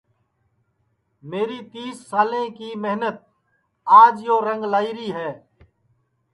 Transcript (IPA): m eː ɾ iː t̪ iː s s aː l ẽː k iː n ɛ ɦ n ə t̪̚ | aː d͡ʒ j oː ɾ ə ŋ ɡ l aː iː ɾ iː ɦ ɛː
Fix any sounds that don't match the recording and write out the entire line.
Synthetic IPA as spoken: m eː ɾ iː t̪ iː s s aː l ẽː k iː m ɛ ɦ n ə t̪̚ | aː d͡ʒ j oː ɾ ə ŋ ɡ l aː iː ɾ iː ɦ ɛː